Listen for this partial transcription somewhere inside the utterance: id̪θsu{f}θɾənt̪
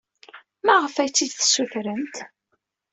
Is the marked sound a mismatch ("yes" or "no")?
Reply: yes